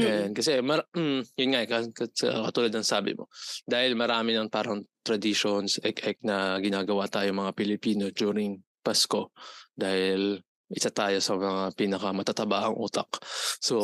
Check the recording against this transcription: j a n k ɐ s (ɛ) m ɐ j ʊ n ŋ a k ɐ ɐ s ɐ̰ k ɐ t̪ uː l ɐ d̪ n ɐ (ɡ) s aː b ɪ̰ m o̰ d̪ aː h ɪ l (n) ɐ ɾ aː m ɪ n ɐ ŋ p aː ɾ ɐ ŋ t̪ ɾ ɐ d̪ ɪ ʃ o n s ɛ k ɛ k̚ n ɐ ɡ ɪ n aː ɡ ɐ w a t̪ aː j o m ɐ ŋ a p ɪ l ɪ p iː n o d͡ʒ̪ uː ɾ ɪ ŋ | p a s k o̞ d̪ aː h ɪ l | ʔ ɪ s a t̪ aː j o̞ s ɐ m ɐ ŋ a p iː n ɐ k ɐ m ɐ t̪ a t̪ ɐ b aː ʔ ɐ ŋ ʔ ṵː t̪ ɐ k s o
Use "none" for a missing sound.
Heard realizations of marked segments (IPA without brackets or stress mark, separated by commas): ɛ, ŋ, m